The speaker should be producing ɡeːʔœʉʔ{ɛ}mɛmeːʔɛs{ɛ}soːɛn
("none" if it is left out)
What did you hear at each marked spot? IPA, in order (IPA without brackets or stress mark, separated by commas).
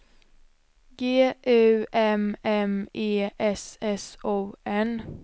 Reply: ɛ, ɛ